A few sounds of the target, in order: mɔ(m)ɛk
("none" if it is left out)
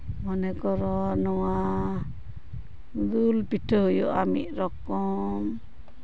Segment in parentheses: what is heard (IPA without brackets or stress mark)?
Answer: n